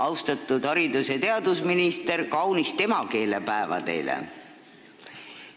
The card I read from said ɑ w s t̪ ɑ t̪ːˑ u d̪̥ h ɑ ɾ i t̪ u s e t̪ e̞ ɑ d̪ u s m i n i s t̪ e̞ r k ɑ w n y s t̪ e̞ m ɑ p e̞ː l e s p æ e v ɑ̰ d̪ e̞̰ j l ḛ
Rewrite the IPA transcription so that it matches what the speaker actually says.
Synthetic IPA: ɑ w s t̪ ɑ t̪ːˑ u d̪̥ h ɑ ɾ i d̪ u s e t̪ e̞ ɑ d̪ u s m i n i s t̪ e̞ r k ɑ w n i s t̪ e̞ m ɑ k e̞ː l e p æ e v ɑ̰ d̪ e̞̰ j l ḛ